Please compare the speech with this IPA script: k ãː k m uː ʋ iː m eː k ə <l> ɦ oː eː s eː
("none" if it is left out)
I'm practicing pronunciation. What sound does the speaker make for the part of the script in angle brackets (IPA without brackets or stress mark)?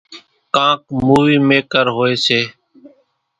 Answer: ɾ